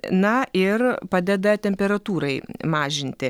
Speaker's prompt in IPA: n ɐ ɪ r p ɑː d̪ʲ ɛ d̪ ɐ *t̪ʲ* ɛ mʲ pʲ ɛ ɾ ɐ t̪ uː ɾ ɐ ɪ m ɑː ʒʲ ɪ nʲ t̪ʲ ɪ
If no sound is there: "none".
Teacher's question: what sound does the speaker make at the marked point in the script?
t̪ʲ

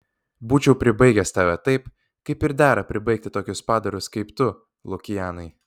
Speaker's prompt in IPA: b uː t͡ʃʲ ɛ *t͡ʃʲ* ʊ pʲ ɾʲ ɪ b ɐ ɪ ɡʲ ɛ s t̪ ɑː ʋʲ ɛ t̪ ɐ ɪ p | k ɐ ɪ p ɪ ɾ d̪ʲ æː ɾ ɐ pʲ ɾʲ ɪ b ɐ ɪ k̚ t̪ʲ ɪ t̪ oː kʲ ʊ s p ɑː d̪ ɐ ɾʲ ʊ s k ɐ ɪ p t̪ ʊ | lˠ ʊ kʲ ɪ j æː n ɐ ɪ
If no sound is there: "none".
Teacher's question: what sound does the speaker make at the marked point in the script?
none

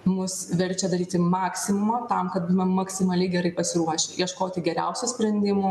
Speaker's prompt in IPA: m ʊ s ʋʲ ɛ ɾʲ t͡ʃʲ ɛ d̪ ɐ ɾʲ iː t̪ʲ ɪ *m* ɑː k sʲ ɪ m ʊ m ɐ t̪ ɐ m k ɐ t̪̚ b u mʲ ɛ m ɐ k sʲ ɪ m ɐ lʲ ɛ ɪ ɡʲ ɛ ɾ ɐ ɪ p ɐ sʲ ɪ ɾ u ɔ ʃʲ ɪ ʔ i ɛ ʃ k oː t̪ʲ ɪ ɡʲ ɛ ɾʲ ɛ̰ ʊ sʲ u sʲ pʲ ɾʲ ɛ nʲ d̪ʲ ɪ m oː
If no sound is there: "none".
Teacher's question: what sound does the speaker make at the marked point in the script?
m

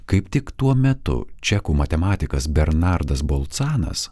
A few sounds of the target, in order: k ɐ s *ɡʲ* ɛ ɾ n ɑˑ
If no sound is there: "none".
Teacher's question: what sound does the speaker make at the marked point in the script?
bʲ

